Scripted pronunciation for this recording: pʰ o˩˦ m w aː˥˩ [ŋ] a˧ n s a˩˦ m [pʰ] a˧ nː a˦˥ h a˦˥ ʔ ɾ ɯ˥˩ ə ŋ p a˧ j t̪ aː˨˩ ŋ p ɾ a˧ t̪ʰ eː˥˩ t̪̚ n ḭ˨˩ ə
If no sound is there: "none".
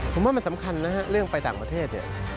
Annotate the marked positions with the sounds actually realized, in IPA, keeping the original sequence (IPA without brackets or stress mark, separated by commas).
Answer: m, kʰ